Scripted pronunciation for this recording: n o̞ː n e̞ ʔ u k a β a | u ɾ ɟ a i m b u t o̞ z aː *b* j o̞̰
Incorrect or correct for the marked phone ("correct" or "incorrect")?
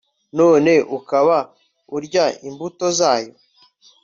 incorrect